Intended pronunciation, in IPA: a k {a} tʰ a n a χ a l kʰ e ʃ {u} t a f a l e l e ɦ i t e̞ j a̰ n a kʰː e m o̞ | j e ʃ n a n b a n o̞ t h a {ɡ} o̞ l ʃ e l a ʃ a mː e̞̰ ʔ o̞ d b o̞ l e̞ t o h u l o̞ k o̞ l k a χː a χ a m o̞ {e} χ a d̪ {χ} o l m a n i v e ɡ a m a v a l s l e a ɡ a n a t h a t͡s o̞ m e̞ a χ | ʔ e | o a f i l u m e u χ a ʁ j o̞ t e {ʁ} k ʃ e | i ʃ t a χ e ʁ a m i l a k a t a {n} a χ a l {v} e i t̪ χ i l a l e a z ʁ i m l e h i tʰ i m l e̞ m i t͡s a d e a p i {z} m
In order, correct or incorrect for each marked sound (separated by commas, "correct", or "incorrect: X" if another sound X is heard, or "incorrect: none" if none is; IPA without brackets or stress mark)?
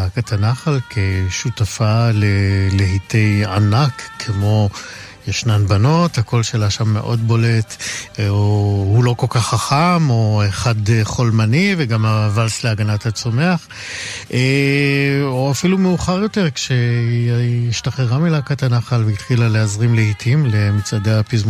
correct, correct, incorrect: k, correct, correct, correct, correct, correct, correct